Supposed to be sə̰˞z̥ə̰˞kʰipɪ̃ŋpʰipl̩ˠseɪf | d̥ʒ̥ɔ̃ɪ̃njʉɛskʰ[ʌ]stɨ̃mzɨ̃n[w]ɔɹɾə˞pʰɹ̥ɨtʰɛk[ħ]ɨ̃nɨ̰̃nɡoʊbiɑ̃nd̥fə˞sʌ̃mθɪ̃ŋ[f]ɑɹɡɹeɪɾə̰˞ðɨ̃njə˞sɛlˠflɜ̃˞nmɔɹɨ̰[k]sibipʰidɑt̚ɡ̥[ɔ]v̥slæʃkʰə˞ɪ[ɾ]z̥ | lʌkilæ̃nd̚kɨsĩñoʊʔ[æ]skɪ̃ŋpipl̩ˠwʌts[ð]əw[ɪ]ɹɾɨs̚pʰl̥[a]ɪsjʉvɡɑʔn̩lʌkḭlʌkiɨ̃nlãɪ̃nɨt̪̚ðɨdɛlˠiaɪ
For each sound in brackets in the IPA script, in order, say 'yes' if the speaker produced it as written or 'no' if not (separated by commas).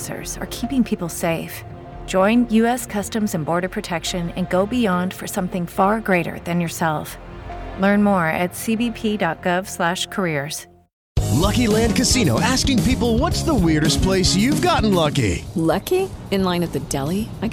yes, no, no, yes, no, no, no, yes, yes, yes, no